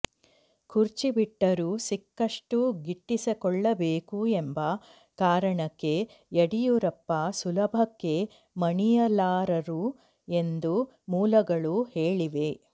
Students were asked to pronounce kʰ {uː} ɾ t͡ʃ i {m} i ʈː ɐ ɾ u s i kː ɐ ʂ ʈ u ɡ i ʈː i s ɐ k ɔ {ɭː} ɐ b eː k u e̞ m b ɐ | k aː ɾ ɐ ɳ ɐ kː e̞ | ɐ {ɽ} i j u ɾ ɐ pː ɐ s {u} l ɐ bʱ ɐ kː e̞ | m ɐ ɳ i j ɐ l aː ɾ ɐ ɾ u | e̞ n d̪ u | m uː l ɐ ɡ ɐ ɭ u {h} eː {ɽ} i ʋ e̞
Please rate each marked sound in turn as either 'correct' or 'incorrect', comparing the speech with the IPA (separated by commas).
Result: incorrect, incorrect, correct, correct, correct, correct, incorrect